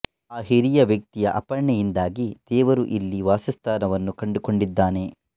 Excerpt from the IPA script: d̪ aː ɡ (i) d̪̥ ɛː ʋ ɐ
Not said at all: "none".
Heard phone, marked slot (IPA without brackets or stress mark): i